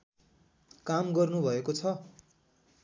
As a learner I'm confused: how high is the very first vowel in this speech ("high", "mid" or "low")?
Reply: low